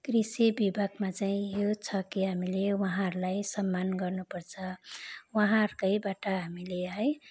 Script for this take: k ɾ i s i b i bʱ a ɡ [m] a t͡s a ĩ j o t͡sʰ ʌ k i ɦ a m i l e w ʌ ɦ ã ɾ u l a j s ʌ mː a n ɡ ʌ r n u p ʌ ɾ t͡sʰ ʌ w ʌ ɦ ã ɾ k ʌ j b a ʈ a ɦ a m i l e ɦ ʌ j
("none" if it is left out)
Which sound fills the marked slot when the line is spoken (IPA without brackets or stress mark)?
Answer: m